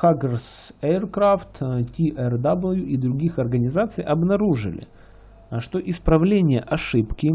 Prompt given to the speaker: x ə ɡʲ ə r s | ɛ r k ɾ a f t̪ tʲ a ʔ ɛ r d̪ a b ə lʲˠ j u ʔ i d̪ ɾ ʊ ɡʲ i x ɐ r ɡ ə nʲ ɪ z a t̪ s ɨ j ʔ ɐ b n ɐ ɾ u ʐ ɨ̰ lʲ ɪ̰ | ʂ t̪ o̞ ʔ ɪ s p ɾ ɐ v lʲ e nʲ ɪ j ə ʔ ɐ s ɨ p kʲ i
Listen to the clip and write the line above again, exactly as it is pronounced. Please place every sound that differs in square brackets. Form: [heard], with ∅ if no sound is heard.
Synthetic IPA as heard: x [a] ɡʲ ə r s | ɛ r k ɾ a f t̪ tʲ [i] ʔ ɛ r d̪ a b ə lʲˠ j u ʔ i d̪ ɾ ʊ ɡʲ i x ɐ r ɡ ə nʲ ɪ z a t̪ s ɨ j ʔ ɐ b n ɐ ɾ u ʐ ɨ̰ lʲ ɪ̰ | ʂ t̪ o̞ ʔ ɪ s p ɾ ɐ v lʲ e nʲ ɪ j ə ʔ ɐ [ʂ] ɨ p kʲ [ɪ]